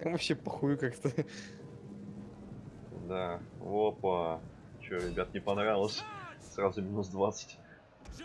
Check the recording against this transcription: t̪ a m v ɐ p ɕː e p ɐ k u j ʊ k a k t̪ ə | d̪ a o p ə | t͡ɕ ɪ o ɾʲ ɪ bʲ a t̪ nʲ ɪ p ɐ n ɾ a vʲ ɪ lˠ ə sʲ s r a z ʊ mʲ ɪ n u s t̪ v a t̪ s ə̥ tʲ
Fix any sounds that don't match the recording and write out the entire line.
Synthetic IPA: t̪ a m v ɐ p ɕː e p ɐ x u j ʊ k a k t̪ ə | d̪ a o p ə | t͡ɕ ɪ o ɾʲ ɪ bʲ a t̪ nʲ ɪ p ɐ n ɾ a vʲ ɪ lˠ ə sʲ s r a z ʊ mʲ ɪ n u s d̪ v a t̪ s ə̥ tʲ